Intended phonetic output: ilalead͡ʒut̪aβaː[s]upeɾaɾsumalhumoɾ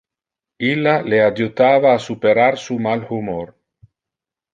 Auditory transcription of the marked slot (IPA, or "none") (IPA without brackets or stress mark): s